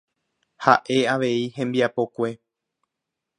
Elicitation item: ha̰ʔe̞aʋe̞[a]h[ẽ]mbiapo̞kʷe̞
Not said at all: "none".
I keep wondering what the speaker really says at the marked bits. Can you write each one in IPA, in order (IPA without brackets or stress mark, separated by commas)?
i, ẽ